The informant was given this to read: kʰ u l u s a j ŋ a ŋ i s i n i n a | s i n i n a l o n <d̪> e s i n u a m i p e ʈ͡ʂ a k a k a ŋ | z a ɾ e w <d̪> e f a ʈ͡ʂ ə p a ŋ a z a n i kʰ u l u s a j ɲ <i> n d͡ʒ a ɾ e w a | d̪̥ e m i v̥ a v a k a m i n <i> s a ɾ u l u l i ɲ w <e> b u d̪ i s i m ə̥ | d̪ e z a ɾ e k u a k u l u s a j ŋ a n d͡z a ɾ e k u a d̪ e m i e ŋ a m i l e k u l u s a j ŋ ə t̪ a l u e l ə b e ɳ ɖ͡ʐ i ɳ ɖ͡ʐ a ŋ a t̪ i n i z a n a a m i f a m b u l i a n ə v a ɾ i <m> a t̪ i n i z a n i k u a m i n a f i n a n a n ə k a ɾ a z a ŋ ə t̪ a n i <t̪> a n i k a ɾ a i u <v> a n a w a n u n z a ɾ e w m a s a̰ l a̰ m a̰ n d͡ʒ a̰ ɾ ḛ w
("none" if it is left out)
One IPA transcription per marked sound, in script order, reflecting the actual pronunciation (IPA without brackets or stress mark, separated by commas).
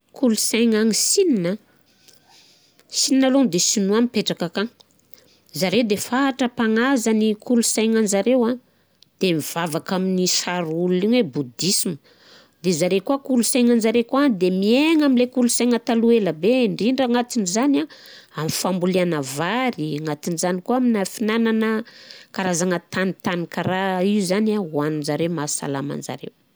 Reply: d̪, d̪, a, i, e, ŋ, t̪, z